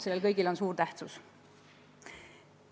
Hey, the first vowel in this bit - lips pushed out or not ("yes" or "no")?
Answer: no